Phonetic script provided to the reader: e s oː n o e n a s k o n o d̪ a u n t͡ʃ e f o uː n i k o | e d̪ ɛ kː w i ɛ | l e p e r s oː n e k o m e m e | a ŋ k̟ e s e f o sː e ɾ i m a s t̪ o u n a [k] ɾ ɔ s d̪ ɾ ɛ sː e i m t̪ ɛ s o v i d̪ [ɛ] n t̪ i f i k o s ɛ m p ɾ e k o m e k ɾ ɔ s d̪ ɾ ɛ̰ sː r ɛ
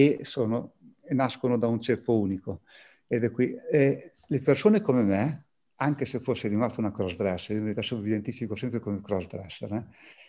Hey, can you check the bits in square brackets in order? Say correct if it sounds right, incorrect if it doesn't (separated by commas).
correct, incorrect